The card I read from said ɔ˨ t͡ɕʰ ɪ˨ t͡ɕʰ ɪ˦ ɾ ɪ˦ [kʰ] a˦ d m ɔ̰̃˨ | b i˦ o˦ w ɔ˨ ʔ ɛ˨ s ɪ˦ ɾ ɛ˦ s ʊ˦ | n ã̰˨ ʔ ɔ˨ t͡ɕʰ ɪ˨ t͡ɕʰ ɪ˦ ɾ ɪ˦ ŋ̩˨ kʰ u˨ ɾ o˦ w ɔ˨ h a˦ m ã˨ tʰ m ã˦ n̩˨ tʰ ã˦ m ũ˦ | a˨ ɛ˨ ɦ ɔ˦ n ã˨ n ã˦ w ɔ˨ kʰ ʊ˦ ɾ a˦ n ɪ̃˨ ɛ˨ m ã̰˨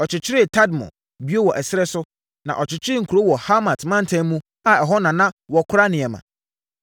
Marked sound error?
yes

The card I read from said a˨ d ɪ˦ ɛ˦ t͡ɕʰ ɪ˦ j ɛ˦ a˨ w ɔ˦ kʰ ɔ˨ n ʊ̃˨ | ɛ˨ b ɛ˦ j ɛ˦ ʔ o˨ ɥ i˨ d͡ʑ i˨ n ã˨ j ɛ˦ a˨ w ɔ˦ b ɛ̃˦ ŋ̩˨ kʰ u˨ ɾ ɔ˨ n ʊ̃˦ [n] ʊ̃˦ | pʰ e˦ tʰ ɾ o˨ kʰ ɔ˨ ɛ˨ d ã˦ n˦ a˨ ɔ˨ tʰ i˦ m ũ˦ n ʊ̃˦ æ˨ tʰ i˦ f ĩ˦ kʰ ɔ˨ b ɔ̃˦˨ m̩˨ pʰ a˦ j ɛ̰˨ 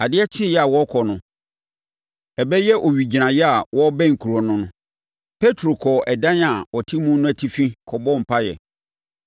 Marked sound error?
no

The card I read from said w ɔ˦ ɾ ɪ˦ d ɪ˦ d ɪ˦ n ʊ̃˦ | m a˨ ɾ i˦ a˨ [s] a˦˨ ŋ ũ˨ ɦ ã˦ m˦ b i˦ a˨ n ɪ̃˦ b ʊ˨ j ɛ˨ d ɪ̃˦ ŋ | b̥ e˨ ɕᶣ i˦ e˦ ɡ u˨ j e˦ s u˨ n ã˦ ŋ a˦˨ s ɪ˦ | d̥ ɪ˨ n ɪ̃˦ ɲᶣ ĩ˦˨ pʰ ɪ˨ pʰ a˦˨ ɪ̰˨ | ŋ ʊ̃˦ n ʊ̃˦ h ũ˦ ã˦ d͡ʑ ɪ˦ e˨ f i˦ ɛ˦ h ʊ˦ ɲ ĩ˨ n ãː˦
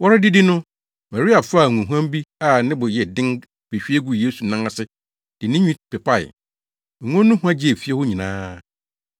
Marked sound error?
yes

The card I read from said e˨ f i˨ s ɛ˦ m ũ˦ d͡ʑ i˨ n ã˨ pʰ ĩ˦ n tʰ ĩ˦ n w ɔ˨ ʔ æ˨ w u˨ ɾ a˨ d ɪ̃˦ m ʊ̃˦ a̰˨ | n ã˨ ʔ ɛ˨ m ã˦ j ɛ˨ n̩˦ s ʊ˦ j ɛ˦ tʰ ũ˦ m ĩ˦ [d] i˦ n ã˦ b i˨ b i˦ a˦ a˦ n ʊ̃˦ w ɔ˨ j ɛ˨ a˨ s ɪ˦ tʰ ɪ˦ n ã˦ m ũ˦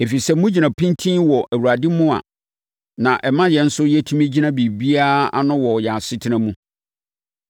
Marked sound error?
yes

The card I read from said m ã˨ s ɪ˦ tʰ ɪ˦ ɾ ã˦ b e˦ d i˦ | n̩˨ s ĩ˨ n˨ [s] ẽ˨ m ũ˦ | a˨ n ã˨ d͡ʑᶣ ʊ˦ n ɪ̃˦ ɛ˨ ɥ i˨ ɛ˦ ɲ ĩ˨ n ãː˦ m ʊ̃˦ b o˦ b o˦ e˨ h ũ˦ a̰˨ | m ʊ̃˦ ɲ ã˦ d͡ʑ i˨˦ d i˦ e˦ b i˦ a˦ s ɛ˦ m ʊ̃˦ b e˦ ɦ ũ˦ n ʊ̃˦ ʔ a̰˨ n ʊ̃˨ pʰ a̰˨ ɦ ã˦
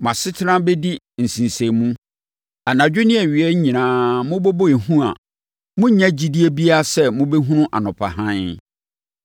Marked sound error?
no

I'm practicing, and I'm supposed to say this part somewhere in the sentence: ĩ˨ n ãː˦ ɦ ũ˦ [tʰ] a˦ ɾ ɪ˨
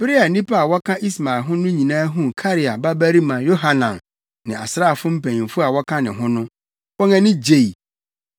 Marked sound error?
yes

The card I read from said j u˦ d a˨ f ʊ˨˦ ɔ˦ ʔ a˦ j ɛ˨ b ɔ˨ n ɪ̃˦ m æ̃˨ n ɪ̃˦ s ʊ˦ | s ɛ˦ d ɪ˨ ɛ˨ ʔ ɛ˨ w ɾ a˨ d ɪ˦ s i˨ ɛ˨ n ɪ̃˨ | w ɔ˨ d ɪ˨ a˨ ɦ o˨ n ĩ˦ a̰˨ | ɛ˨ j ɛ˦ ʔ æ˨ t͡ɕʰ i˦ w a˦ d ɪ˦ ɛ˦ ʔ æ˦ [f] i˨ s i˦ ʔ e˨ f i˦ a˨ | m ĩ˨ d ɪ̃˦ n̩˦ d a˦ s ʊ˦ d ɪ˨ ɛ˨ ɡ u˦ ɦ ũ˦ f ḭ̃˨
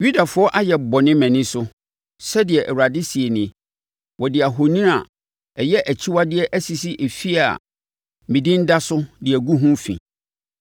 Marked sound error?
yes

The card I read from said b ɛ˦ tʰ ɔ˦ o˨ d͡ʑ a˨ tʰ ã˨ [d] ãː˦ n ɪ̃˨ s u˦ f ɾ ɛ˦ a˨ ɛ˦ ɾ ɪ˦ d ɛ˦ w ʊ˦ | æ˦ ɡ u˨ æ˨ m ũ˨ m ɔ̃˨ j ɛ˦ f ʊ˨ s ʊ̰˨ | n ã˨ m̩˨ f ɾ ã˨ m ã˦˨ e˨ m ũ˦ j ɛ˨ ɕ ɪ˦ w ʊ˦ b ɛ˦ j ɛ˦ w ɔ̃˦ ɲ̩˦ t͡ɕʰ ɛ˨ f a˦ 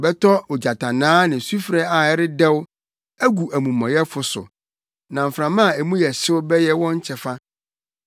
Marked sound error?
yes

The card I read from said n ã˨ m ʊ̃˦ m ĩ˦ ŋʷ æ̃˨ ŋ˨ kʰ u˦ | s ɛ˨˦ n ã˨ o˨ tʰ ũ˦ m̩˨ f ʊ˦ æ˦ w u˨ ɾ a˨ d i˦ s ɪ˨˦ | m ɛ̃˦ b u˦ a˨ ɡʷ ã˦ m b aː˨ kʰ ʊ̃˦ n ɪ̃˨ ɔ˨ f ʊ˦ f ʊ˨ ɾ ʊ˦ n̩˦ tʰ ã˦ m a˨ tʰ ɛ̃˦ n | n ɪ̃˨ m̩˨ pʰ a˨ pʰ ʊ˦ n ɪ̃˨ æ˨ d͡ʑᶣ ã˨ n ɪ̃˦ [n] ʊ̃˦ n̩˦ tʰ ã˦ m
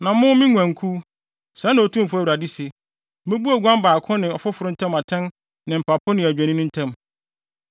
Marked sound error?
no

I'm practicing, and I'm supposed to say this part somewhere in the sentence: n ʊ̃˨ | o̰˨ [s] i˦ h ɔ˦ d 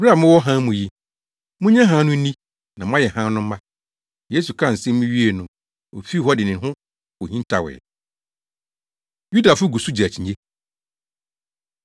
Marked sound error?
yes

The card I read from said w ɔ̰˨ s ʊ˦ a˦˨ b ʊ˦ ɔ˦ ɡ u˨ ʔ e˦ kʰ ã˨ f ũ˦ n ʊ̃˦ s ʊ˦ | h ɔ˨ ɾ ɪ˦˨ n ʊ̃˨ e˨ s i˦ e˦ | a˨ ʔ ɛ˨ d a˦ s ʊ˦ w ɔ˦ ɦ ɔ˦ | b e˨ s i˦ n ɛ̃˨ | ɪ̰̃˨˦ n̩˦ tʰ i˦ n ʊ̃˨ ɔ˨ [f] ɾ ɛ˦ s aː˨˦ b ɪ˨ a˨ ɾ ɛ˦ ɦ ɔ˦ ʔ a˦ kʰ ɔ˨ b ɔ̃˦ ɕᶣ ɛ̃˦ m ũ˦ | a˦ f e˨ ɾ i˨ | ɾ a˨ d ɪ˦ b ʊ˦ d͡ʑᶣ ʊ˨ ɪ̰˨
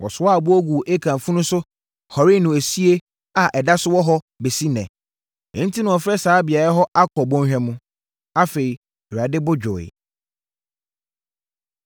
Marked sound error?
no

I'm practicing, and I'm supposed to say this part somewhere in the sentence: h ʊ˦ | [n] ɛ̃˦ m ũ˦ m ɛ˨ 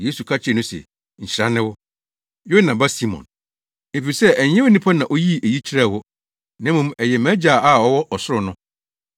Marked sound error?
no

